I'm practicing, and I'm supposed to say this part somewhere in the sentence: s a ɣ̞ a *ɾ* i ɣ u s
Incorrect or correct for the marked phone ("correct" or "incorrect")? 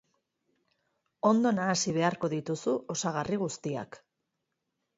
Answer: incorrect